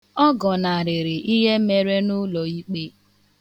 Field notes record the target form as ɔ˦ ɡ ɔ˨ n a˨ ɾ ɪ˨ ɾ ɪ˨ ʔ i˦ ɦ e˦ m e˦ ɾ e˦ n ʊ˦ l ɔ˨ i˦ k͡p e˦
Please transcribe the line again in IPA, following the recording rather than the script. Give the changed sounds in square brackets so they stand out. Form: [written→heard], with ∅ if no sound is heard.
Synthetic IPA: ɔ˦ ɡ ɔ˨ n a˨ ɾ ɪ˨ ɾ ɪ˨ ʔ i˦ ɦ e˦ m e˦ ɾ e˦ n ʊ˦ l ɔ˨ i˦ k͡p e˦